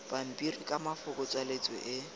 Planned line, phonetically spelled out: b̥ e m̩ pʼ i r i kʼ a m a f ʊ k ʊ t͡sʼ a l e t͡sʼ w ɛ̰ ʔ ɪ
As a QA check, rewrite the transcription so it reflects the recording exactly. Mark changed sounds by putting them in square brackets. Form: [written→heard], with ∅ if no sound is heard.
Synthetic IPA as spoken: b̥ [e→a] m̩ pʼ i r i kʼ a m a f ʊ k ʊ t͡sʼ a l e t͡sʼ w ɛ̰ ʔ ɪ